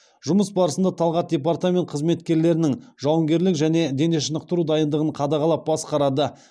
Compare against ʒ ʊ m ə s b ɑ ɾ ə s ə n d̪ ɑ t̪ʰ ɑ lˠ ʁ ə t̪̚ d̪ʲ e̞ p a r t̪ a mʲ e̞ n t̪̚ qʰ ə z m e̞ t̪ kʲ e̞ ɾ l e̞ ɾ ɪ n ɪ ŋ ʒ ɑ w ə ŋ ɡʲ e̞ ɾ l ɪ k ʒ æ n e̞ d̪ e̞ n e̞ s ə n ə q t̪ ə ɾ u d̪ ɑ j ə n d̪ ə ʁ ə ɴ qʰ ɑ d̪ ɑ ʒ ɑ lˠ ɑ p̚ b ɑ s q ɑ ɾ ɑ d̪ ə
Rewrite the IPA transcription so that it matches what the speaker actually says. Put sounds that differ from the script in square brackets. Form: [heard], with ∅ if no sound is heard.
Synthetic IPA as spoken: ʒ ʊ m ə s b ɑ ɾ ə s ə n d̪ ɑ t̪ʰ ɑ lˠ ʁ [ɑ] t̪̚ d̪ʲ e̞ p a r t̪ a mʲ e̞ n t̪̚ qʰ ə z m e̞ t̪ kʲ e̞ ɾ l e̞ ɾ ɪ n ɪ ŋ ʒ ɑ w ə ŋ ɡʲ e̞ ɾ l ɪ k ʒ æ n e̞ d̪ e̞ n e̞ [ʃ] ə n ə q t̪ ə ɾ u d̪ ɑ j ə n d̪ ə ʁ ə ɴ qʰ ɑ d̪ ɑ [ʁ] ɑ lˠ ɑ p̚ b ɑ s q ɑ ɾ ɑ d̪ ə